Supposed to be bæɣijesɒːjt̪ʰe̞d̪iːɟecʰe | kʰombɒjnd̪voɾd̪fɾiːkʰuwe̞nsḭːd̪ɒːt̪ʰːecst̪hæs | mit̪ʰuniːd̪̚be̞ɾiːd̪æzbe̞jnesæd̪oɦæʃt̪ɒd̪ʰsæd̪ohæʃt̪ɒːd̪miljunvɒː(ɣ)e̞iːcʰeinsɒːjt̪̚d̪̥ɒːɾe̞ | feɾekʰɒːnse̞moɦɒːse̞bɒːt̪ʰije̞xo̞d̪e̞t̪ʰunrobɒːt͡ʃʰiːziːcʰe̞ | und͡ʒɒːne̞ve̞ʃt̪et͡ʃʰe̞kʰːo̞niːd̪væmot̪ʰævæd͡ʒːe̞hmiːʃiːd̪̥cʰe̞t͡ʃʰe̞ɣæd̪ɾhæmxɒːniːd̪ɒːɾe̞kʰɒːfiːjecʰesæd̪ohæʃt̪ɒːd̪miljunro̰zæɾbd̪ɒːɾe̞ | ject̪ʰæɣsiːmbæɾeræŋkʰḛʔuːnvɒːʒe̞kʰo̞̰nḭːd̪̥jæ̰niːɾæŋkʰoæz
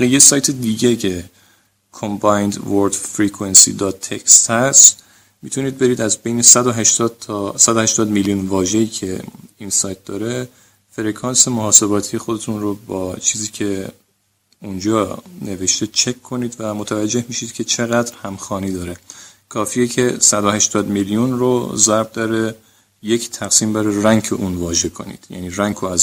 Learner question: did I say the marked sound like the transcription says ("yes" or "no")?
no